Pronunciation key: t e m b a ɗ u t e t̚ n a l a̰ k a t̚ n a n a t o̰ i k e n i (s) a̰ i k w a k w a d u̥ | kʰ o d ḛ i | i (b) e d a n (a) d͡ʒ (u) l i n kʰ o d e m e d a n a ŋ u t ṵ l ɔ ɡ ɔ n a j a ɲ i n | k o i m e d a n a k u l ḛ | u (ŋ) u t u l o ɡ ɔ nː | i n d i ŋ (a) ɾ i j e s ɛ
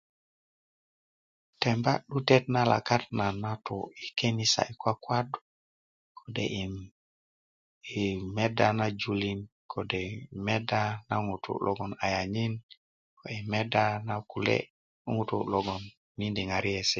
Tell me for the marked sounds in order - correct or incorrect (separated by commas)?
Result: correct, incorrect, correct, correct, correct, correct